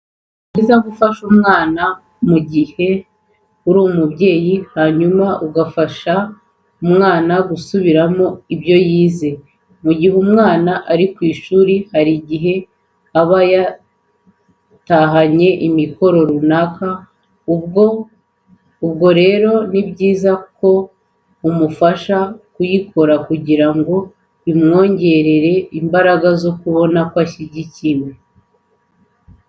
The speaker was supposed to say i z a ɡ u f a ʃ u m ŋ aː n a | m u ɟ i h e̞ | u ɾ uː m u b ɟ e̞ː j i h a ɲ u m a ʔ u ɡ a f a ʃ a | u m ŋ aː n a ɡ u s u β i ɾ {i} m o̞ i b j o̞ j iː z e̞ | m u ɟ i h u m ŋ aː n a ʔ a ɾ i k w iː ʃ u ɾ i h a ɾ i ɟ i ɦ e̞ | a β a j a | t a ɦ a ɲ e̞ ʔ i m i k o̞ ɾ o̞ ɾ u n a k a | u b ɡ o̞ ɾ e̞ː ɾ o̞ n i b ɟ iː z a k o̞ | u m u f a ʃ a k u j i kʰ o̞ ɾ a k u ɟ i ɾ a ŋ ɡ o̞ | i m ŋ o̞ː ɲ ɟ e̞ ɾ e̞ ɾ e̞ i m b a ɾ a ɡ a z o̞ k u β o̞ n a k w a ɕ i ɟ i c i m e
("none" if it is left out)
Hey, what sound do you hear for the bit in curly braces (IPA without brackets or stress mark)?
a